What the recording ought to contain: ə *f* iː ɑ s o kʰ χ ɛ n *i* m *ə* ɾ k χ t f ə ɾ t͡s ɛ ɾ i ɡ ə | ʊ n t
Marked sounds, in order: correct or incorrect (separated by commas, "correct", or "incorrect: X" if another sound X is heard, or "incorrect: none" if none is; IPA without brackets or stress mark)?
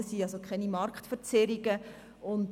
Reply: incorrect: s, correct, incorrect: ɑ